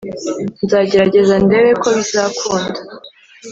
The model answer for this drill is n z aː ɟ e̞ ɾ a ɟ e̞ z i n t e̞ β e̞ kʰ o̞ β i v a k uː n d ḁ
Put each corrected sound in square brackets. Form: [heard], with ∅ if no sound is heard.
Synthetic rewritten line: n z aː ɟ e̞ ɾ a ɟ e̞ z [a] n [d] e̞ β e̞ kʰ o̞ β i [z] a k uː n d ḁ